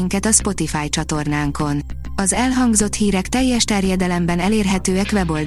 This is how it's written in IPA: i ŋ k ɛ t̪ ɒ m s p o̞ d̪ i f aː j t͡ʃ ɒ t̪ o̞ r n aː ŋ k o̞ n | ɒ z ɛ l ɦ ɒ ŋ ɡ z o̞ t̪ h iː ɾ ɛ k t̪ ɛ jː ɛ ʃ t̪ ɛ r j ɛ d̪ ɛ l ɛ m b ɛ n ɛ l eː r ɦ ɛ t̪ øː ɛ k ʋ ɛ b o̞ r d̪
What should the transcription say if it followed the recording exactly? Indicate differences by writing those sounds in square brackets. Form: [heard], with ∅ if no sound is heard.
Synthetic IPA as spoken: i ŋ k ɛ t̪ ɒ [∅] s p o̞ [t̪] i f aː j t͡ʃ ɒ t̪ o̞ r n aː ŋ k o̞ n | ɒ z ɛ l ɦ ɒ ŋ ɡ z o̞ t̪ h iː ɾ ɛ k t̪ ɛ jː ɛ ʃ t̪ ɛ r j ɛ d̪ ɛ l ɛ m b ɛ n ɛ l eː r ɦ ɛ t̪ øː ɛ k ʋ ɛ b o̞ [l] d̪